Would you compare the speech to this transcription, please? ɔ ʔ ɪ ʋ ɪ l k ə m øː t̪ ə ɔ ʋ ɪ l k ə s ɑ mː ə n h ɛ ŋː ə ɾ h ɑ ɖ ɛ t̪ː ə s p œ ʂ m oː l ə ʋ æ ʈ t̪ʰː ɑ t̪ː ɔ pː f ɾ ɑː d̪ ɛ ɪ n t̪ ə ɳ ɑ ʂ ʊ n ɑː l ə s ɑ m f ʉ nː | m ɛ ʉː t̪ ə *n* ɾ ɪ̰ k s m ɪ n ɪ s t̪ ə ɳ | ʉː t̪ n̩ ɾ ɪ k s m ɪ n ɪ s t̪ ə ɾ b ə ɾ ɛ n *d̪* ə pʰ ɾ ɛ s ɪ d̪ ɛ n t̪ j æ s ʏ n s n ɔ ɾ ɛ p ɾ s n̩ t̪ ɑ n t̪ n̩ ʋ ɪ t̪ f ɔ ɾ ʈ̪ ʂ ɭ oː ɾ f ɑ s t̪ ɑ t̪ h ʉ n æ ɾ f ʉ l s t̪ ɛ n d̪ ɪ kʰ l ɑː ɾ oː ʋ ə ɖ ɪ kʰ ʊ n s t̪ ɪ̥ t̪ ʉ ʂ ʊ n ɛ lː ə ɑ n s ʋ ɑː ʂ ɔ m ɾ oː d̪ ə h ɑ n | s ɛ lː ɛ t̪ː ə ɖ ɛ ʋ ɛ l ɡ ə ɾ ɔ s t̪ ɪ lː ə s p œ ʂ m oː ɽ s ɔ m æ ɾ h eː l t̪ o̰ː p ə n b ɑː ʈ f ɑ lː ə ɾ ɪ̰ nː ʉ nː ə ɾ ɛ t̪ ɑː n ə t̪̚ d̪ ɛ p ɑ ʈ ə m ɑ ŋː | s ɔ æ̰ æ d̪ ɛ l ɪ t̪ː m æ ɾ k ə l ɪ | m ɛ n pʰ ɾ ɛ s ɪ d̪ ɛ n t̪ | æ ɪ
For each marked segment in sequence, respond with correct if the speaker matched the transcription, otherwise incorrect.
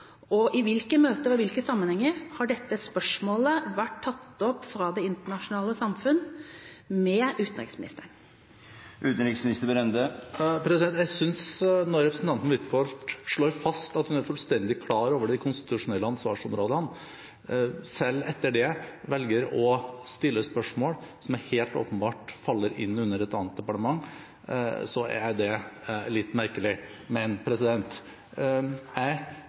correct, correct

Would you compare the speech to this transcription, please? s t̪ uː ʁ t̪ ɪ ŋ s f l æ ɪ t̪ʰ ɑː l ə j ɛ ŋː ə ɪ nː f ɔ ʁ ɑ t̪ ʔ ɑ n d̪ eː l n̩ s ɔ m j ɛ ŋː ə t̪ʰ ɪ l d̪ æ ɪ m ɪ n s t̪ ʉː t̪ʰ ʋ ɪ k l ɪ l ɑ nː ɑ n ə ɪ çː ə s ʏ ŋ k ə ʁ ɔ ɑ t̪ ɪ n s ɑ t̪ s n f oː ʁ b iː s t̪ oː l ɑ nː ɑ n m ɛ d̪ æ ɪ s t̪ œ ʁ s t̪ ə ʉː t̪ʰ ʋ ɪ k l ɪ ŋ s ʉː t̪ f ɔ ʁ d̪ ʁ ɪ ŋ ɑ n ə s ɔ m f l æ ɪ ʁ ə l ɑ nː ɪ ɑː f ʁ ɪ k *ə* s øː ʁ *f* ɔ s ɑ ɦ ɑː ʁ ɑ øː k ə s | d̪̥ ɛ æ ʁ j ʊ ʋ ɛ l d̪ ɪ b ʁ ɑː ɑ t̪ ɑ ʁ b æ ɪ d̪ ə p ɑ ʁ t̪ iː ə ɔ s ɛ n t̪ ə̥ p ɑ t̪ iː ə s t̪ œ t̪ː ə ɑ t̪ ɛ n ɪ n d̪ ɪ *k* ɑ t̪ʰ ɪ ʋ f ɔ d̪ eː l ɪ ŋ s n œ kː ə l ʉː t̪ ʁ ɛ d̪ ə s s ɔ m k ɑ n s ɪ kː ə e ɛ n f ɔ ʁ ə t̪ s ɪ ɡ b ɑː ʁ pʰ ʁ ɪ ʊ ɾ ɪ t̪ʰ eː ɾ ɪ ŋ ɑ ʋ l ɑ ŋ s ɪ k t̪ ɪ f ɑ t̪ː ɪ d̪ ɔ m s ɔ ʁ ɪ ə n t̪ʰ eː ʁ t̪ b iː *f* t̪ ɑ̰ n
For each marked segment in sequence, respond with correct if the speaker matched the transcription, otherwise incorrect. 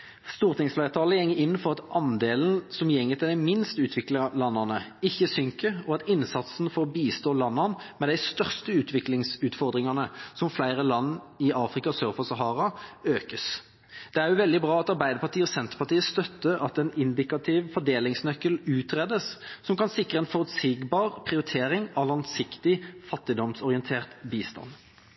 incorrect, correct, correct, incorrect

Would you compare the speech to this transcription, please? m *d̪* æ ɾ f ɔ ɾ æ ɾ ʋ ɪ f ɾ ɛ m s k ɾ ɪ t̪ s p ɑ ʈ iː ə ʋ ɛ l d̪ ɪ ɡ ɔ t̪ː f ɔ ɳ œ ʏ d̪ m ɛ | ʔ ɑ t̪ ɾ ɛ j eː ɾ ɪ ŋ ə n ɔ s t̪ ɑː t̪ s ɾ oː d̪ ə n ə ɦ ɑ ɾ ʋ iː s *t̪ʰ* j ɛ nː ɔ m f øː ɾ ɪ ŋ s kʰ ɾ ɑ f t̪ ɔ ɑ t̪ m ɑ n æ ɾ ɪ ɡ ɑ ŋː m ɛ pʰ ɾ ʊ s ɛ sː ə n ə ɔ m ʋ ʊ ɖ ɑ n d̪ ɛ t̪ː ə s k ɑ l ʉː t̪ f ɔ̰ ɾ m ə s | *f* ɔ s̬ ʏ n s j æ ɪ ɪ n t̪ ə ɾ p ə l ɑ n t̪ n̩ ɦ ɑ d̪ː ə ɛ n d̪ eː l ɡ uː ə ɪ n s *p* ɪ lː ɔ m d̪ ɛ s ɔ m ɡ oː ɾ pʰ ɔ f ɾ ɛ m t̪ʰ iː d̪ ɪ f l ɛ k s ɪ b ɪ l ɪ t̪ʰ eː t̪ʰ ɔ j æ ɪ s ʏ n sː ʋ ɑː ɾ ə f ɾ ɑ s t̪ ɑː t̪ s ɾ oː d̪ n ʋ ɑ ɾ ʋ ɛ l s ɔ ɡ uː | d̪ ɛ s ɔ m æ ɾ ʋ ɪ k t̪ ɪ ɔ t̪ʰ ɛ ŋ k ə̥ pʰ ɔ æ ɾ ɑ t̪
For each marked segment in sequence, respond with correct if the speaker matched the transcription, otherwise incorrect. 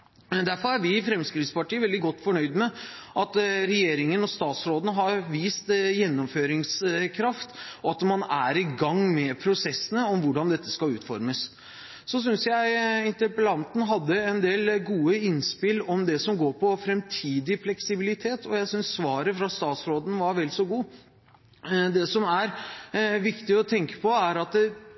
correct, incorrect, incorrect, correct

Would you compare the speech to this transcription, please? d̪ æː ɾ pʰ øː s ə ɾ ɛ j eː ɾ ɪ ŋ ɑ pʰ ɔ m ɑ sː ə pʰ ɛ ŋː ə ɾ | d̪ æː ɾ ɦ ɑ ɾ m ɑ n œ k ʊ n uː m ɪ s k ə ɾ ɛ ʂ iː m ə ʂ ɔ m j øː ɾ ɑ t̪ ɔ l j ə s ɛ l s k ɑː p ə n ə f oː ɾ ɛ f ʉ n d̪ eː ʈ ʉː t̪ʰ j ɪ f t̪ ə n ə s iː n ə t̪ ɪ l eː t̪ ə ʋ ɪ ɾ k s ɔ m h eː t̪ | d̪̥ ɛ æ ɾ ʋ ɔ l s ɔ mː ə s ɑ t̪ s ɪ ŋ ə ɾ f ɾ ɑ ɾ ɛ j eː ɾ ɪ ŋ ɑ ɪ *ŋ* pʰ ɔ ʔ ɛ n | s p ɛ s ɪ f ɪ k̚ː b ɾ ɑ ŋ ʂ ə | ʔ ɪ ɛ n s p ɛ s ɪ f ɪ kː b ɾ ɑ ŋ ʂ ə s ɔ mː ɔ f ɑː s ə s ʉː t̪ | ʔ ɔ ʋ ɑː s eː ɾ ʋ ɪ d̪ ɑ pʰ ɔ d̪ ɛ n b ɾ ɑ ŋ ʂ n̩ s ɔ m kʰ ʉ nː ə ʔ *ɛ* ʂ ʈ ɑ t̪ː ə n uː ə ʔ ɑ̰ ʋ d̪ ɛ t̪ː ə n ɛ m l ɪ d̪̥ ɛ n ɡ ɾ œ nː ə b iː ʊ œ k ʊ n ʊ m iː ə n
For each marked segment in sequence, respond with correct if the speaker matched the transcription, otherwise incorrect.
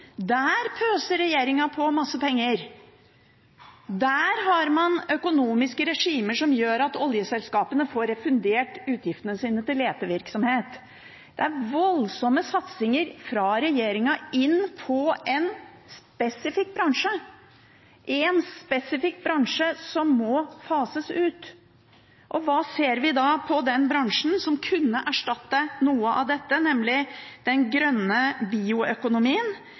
incorrect, incorrect

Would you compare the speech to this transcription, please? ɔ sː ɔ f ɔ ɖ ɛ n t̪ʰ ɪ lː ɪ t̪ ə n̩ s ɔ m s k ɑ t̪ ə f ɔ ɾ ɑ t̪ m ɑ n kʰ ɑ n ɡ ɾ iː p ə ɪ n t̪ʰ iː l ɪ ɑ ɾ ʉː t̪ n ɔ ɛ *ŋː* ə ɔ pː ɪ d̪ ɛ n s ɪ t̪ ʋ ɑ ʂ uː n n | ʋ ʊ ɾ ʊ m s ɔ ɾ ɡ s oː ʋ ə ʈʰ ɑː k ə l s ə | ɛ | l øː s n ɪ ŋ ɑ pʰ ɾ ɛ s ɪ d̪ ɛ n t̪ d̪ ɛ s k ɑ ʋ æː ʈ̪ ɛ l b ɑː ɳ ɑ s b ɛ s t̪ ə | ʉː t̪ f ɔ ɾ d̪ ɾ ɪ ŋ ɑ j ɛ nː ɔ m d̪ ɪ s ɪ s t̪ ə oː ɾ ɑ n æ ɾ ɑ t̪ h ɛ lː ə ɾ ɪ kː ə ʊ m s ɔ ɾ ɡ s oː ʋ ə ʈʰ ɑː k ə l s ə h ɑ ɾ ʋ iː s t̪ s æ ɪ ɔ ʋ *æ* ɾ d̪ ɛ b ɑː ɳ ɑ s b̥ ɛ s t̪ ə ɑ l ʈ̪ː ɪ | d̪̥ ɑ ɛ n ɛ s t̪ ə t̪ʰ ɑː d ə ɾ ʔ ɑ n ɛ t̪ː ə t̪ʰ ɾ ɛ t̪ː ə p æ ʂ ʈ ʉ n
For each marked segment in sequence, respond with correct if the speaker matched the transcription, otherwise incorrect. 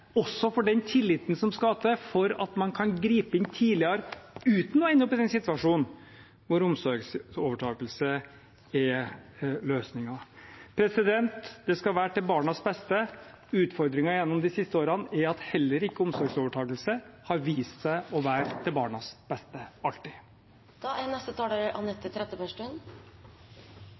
incorrect, incorrect

